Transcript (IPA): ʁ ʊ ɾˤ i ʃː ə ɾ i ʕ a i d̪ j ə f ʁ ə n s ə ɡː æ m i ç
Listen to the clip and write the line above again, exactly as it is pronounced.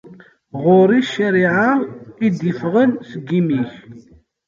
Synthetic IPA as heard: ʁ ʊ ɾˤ i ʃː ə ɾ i ʕ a i d̪ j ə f ʁ ə n s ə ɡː i m i ç